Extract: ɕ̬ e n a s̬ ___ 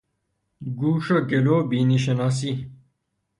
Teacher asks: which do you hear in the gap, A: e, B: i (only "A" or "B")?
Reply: B